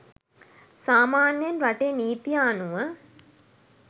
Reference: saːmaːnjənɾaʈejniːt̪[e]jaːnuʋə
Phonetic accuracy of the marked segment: incorrect: i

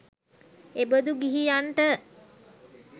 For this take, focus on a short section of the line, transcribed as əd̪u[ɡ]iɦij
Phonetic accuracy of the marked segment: correct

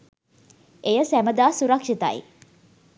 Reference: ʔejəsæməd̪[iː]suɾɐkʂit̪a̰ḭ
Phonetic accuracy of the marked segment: incorrect: aː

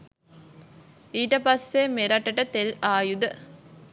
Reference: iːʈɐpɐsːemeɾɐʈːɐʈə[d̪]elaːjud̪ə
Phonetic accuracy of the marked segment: incorrect: t̪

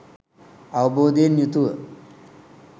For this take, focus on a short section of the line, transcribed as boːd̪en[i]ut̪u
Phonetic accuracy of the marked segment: incorrect: j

